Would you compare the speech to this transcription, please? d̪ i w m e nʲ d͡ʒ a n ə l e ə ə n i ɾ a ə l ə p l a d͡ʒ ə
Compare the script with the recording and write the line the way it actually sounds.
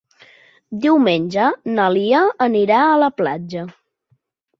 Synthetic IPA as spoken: d̪ i w m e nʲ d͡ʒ ə n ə l i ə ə n i ɾ a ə l ə p l a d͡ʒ ə